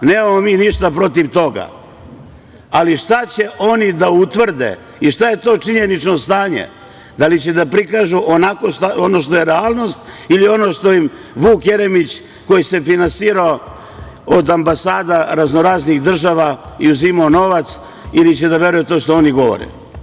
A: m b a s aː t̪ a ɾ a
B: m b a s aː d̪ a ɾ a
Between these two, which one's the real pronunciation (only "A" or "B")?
B